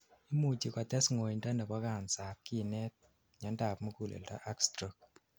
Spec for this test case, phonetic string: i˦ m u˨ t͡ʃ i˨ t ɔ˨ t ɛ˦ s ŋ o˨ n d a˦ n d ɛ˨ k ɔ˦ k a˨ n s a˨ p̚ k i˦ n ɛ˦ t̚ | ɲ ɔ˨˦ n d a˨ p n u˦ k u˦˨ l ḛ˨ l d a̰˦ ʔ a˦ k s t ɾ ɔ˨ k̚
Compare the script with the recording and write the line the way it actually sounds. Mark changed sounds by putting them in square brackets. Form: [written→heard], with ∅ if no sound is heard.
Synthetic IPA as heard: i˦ m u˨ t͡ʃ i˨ [t→k] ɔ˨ t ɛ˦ s ŋ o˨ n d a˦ n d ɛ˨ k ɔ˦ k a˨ n s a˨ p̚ k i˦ n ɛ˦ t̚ | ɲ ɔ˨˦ n d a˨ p [n→m] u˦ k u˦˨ l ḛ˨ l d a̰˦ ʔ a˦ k s t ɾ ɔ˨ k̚